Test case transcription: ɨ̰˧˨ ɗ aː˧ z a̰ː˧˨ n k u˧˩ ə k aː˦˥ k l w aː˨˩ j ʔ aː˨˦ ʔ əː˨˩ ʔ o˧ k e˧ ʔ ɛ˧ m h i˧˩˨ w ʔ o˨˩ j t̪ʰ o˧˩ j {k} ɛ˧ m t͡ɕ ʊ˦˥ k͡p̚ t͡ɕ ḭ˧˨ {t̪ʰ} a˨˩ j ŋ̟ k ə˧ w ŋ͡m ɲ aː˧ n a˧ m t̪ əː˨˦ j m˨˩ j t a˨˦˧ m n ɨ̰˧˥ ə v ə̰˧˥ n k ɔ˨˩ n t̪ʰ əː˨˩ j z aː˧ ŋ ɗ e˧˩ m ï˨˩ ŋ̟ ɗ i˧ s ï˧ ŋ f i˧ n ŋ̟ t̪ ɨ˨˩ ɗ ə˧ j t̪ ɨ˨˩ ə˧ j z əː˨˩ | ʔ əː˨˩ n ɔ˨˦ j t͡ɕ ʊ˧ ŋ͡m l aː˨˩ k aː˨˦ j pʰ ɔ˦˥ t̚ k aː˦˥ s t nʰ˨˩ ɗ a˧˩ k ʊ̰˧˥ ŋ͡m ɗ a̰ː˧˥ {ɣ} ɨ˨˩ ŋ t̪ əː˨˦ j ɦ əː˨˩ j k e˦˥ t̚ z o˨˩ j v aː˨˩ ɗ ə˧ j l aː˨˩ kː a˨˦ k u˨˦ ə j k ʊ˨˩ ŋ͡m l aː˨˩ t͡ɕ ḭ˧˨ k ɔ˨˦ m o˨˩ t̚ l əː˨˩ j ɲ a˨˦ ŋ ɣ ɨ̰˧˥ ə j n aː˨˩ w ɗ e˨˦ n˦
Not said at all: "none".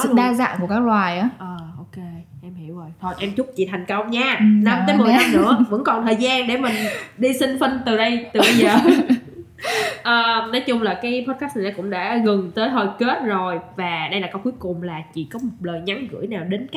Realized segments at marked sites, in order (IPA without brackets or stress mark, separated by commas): ʔ, t̪ʰ, ɣ